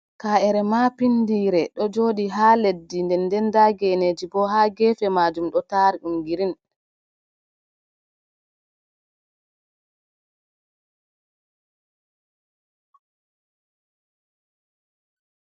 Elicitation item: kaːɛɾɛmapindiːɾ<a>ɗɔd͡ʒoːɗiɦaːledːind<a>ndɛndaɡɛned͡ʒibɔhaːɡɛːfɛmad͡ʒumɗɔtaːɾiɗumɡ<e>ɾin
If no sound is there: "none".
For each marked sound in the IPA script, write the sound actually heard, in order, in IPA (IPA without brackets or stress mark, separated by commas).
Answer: ɛ, ɛ, i